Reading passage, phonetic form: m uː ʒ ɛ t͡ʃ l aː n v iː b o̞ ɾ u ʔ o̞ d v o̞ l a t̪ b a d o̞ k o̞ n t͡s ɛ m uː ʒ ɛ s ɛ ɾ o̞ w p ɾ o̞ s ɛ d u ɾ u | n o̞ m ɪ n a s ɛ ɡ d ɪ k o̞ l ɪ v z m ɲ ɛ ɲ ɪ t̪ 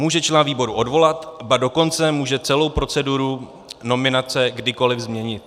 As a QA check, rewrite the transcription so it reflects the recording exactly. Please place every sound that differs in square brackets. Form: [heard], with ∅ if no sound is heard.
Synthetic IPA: m uː ʒ ɛ t͡ʃ l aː n v iː b o̞ ɾ u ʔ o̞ d v o̞ l a t̪ b a d o̞ k o̞ n t͡s ɛ m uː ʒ ɛ [t͡s] ɛ [l] o̞ w p ɾ o̞ [t͡s] ɛ d u ɾ u | n o̞ m ɪ n a [t͡s] ɛ ɡ d ɪ k o̞ l ɪ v z m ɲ ɛ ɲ ɪ t̪